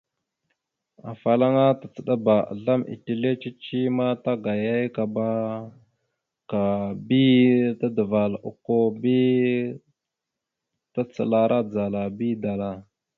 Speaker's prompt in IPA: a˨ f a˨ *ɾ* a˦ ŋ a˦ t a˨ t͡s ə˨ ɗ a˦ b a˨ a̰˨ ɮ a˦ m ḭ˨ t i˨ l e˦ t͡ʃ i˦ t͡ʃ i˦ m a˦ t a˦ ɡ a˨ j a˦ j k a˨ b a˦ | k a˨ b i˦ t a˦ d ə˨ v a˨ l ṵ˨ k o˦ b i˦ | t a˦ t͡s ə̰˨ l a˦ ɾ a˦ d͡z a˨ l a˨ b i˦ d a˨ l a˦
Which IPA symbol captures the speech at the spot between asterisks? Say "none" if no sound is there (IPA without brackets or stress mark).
l